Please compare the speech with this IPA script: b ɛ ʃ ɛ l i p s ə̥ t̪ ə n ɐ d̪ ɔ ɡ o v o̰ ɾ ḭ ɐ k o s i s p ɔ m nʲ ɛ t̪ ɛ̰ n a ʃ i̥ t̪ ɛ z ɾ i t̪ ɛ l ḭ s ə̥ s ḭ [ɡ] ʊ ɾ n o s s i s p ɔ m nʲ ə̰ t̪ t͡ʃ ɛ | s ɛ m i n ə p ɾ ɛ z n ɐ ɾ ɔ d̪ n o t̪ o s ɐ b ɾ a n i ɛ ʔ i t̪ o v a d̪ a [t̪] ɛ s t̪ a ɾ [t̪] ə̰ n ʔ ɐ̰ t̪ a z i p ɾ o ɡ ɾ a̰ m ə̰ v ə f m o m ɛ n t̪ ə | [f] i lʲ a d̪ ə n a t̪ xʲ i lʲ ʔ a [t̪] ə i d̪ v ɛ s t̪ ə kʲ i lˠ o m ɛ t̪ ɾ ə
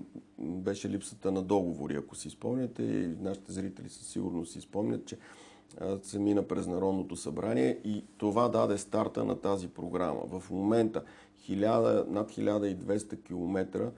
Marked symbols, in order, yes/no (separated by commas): yes, no, yes, no, no